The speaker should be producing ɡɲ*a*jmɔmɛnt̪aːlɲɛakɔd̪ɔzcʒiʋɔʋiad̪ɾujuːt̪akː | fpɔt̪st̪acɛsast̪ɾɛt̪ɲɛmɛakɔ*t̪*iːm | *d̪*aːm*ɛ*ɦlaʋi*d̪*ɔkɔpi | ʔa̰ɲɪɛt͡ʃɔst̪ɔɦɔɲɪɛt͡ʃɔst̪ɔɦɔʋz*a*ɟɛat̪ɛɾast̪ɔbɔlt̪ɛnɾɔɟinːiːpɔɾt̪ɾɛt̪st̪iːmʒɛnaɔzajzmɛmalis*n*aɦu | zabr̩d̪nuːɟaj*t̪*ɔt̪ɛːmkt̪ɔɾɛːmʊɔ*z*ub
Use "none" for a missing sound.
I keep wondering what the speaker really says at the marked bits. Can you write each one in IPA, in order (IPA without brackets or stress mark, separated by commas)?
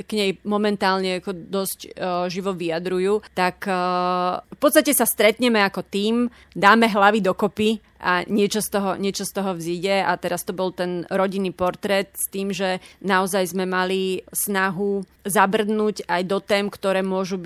ɛ, t̪, d̪, ɛ, d̪, i, n, d̪, ʒ